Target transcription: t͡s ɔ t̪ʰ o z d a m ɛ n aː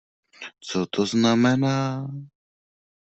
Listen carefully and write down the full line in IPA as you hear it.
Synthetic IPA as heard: t͡s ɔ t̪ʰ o z n a m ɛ n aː

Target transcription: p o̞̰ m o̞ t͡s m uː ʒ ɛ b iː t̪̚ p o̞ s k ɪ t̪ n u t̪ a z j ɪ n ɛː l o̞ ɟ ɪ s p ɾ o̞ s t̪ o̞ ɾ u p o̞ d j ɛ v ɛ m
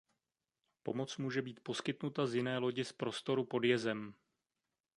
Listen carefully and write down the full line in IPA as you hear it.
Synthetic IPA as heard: p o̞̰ m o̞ t͡s m uː ʒ ɛ b iː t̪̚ p o̞ s k ɪ t̪ n u t̪ a z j ɪ n ɛː l o̞ ɟ ɪ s p ɾ o̞ s t̪ o̞ ɾ u p o̞ d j ɛ z ɛ m

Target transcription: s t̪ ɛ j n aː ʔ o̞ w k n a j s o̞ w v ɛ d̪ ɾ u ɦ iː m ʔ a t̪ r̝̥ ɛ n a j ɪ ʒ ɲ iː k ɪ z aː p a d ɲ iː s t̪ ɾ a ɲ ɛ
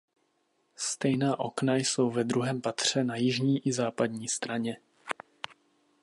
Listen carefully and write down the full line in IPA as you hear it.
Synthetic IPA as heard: s t̪ ɛ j n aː ʔ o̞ k n a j s o̞ w v ɛ d̪ ɾ u ɦ ɛː m p a t̪ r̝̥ ɛ n a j ɪ ʒ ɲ iː ʔ ɪ z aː p a d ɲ iː s t̪ ɾ a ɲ ɛ

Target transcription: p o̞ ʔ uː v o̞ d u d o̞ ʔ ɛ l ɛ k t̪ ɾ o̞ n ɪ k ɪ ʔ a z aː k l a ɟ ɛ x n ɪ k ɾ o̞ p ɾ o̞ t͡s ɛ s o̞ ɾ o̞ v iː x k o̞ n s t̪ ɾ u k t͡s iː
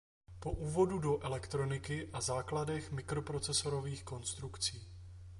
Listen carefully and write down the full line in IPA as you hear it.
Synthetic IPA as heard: p o̞ ʔ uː v o̞ d u d o̞ ʔ ɛ l ɛ k t̪ ɾ o̞ n ɪ k ɪ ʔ a z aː k l a d ɛ x m ɪ k ɾ o̞ p ɾ o̞ t͡s ɛ s o̞ ɾ o̞ v iː x k o̞ n s t̪ ɾ u k t͡s iː

